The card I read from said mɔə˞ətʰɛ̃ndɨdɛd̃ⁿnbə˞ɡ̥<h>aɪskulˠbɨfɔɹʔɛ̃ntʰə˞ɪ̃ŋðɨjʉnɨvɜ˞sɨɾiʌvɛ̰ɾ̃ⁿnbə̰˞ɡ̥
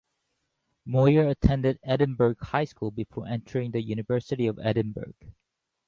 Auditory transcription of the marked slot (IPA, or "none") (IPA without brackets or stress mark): h